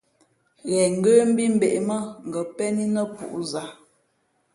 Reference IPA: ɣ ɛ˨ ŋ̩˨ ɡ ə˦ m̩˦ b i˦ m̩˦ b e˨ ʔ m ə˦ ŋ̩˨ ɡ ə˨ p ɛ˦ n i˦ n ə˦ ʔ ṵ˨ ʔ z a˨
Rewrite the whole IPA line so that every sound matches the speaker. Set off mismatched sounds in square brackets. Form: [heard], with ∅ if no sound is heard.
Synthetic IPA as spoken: ɣ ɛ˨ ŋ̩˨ ɡ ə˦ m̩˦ b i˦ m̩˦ b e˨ ʔ m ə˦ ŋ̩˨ ɡ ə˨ p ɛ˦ n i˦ n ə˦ [p] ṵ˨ ʔ z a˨